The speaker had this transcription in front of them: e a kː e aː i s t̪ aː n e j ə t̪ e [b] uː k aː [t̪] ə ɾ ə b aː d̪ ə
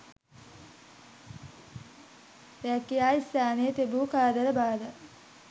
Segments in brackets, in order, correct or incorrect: correct, incorrect

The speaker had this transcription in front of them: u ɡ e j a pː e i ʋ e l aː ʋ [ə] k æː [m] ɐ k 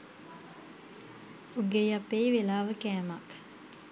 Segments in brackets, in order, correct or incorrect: correct, correct

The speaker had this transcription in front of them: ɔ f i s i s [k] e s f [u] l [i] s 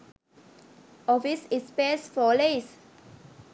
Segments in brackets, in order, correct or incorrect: incorrect, incorrect, incorrect

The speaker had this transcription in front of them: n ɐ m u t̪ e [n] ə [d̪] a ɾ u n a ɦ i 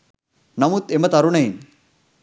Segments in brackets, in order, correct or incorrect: incorrect, incorrect

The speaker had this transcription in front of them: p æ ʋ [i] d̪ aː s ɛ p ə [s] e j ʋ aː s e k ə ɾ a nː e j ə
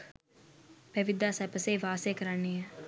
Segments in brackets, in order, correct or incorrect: correct, correct

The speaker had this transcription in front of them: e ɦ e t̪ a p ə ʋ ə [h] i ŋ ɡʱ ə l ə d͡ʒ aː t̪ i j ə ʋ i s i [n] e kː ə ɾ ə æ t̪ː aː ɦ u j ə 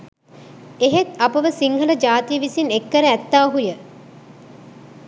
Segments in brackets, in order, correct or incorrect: incorrect, correct

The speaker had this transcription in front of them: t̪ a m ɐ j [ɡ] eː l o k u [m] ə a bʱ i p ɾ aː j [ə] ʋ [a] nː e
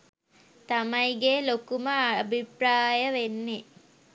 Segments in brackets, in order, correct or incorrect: correct, correct, correct, incorrect

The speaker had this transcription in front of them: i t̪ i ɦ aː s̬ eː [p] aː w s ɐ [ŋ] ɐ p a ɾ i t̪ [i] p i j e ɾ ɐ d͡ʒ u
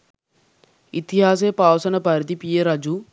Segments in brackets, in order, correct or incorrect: correct, incorrect, correct

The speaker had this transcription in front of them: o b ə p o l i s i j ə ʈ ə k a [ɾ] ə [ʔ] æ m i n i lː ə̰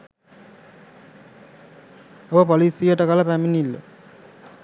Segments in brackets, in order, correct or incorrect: incorrect, incorrect

